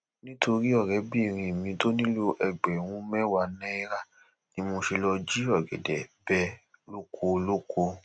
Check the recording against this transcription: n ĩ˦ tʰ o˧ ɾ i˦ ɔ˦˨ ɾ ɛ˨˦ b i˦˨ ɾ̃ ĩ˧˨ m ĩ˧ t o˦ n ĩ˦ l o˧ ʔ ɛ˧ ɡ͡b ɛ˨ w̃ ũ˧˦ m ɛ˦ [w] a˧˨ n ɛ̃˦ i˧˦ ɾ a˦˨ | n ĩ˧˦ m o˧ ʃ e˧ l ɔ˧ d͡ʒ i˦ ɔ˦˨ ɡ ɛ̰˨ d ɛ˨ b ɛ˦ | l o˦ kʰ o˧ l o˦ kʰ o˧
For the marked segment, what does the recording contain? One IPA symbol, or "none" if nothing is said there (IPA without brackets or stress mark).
w